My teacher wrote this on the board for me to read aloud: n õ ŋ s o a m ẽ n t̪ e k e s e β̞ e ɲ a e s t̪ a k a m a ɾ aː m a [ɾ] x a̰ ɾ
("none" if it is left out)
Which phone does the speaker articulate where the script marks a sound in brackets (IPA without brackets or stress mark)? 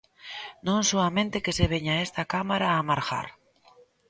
ɾ